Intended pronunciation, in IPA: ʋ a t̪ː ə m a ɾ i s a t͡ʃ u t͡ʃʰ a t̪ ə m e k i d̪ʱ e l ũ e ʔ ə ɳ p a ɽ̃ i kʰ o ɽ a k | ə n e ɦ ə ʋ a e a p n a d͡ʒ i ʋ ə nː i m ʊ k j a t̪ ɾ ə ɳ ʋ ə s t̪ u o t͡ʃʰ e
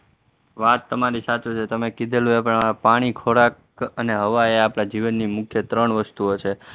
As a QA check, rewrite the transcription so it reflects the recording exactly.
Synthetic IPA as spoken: ʋ a t̪ː ə m a ɾ i s a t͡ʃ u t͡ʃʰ e t̪ ə m e k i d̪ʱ e l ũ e p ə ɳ p a ɽ̃ i kʰ o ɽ a k | ə n e ɦ ə ʋ a e a p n a d͡ʒ i ʋ ə nː i m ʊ kʰ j ə t̪ ɾ ə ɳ ʋ ə s t̪ u o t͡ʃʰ e